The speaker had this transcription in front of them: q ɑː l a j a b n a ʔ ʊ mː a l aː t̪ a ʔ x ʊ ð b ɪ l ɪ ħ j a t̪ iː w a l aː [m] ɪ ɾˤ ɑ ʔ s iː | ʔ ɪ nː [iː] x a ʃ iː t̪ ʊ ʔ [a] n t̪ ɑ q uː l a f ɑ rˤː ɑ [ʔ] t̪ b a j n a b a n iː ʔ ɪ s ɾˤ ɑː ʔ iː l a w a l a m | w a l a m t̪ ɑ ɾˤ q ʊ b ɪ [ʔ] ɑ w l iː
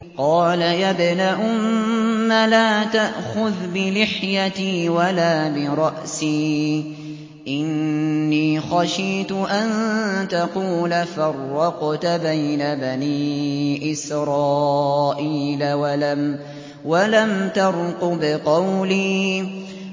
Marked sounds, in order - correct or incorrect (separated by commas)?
incorrect, correct, correct, incorrect, incorrect